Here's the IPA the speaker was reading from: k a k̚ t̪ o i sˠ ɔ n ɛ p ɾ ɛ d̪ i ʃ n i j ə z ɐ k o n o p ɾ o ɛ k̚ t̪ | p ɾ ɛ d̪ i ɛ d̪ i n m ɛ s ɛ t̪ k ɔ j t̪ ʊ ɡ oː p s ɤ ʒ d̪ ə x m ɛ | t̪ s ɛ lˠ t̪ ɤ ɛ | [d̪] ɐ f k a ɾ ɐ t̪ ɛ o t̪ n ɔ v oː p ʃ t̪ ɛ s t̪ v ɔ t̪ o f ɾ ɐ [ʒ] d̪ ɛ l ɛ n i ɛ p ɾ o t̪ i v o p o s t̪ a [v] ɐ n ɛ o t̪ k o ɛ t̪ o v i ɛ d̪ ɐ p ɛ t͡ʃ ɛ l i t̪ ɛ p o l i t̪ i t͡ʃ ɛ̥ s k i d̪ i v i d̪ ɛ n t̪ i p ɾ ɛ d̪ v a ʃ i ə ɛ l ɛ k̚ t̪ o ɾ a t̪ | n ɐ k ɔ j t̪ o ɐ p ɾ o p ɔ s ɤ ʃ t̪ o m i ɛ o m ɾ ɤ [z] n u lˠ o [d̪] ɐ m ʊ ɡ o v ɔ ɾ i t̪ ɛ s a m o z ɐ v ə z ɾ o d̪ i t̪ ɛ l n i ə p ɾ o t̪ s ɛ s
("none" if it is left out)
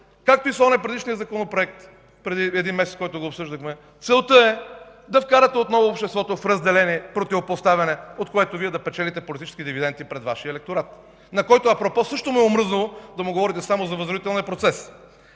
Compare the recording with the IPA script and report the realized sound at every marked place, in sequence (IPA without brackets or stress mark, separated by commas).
d̪, z, v, z, d̪